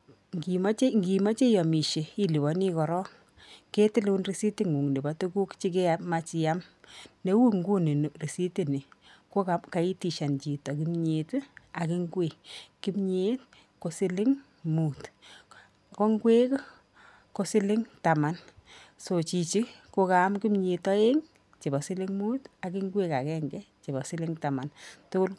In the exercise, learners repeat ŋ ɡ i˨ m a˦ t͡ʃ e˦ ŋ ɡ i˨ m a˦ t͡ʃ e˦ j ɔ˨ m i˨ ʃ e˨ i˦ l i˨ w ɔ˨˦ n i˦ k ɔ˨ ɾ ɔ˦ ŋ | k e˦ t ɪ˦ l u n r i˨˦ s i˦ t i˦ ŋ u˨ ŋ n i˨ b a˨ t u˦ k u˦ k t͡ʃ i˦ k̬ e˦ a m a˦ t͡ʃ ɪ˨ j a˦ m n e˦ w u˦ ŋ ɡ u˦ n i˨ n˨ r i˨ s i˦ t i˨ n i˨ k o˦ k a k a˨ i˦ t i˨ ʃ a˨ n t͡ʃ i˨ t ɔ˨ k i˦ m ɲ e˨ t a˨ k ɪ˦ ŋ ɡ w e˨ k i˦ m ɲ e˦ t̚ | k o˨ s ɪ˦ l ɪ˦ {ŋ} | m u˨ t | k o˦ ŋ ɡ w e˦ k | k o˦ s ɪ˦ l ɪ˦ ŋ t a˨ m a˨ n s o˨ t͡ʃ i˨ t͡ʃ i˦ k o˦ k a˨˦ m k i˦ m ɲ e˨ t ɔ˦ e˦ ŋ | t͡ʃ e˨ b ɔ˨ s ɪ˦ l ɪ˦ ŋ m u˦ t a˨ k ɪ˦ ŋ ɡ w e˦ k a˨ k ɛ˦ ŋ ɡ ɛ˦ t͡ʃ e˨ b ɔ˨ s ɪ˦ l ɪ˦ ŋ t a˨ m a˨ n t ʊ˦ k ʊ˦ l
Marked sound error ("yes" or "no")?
no